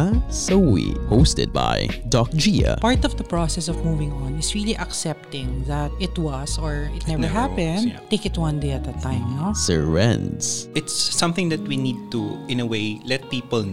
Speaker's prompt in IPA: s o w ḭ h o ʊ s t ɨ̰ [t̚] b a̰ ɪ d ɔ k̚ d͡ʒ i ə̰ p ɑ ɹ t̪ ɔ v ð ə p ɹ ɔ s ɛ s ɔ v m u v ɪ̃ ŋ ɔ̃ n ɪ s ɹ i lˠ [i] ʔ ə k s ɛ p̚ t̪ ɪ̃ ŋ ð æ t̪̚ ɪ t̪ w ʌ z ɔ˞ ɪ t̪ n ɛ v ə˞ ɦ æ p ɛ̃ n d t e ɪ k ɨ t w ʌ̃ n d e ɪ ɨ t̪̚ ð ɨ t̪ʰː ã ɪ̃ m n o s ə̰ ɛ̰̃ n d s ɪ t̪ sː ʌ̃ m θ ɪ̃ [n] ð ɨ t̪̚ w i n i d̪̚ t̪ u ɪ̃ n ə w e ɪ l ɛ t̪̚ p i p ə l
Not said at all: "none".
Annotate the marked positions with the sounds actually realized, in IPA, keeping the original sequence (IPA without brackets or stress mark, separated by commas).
d̚, i, ŋ